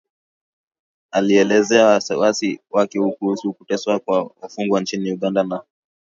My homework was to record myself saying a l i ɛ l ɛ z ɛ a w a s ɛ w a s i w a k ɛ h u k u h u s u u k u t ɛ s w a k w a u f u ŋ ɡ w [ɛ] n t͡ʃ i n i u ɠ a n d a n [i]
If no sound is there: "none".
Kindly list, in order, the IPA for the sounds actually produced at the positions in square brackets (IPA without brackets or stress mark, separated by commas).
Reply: a, a